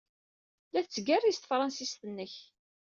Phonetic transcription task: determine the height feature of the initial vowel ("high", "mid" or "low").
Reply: low